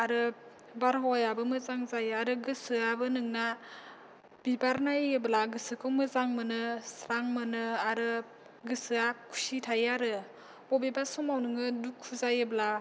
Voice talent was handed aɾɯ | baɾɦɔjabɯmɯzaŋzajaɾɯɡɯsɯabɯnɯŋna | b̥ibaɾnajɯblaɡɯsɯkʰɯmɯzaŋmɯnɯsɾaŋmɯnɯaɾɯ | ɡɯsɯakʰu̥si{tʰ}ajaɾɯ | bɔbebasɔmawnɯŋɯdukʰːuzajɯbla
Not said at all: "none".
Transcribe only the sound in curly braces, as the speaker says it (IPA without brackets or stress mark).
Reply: tʰ